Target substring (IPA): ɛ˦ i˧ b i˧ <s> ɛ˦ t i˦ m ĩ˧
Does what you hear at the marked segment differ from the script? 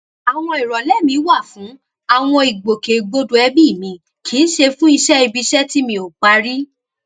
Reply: yes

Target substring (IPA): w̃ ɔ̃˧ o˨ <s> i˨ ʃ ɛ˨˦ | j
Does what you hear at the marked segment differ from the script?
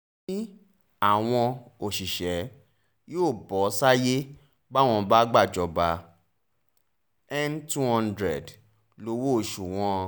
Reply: yes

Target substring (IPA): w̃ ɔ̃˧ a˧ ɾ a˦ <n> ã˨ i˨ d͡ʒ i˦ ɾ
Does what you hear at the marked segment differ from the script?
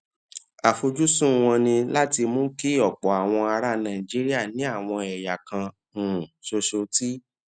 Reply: no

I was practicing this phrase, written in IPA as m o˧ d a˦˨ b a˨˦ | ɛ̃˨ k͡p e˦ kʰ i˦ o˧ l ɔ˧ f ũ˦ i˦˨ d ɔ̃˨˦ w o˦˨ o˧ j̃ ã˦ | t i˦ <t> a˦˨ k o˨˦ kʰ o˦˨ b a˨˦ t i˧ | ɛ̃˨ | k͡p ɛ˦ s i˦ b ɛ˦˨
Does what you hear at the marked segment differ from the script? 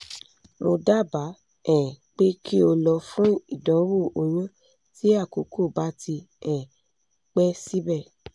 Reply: yes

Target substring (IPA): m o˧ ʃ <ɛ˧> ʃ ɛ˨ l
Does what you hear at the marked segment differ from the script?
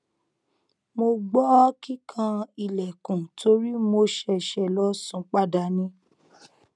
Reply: no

